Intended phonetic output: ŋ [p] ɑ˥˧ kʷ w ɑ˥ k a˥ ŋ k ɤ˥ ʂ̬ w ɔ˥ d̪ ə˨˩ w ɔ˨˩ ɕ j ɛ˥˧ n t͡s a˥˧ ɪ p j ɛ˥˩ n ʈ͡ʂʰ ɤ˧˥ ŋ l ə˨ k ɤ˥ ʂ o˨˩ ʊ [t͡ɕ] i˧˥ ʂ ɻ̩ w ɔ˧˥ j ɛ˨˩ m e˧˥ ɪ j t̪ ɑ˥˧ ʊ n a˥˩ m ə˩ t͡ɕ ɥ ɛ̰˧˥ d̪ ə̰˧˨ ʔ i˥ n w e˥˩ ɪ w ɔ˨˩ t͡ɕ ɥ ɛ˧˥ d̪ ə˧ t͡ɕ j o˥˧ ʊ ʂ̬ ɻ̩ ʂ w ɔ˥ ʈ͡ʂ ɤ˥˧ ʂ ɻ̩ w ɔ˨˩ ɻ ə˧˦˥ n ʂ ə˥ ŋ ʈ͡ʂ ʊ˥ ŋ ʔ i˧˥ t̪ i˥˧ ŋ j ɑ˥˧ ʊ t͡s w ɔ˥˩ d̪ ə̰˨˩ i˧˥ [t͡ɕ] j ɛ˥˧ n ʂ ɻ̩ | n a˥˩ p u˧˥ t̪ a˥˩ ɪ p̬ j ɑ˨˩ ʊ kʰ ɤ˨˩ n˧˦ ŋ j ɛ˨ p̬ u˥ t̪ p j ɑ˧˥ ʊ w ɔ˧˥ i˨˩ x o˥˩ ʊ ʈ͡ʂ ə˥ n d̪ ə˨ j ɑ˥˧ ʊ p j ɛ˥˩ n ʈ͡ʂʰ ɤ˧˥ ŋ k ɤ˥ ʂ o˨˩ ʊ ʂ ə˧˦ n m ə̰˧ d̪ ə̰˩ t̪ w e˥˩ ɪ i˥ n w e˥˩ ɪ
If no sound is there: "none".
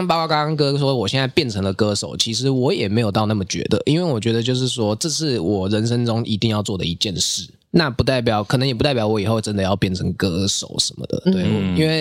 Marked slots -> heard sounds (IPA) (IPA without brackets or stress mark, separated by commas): p, t͡ɕʰ, t͡ɕ